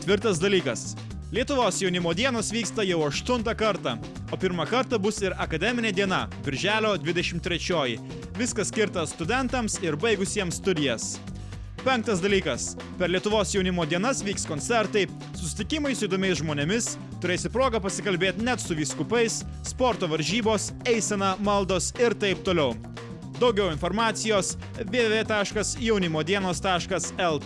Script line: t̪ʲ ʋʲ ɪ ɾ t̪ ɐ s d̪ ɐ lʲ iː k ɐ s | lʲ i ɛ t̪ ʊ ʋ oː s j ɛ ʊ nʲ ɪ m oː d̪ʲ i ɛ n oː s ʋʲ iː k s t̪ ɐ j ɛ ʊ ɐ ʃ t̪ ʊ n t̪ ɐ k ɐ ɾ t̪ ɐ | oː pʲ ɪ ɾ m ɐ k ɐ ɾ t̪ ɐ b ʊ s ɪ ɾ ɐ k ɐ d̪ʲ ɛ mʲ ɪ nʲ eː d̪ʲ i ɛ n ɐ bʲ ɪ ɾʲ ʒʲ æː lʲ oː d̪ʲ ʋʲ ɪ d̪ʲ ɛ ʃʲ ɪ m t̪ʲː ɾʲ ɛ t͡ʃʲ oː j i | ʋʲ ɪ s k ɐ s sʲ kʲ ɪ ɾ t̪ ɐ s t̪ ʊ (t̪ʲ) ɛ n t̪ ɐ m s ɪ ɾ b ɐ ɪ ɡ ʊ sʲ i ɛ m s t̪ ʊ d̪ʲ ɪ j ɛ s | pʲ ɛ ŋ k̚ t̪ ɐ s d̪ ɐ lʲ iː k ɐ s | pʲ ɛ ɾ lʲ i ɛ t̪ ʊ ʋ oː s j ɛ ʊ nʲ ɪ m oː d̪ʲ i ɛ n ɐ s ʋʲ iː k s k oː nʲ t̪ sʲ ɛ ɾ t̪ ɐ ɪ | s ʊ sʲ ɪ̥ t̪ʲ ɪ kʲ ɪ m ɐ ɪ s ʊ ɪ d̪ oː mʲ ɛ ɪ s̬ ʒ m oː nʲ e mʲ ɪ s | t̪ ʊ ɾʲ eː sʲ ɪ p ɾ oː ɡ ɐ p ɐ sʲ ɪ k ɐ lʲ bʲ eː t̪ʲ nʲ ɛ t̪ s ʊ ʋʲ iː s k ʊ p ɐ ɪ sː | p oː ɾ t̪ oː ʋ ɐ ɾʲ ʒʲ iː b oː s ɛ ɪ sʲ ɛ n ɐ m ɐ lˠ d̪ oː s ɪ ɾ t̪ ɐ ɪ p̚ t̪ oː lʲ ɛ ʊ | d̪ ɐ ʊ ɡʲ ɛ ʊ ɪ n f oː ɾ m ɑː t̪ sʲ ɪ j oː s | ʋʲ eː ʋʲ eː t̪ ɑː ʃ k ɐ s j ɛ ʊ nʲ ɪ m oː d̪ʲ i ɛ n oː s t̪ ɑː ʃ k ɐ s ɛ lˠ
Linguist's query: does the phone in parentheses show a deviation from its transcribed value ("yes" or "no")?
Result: yes